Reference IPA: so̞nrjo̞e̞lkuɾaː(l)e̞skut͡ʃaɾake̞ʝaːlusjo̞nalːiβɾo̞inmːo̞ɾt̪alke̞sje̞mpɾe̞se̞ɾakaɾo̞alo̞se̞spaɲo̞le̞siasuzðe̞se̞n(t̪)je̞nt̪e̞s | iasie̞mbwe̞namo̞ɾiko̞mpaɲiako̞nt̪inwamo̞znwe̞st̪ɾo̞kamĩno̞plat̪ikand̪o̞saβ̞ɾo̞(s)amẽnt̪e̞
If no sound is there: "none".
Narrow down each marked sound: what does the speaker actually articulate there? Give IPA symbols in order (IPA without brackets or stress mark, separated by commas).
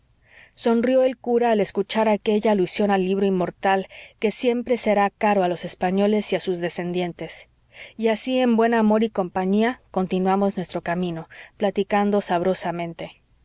l, d̪, s